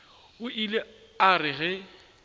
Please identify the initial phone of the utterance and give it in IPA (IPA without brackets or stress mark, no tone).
ʊ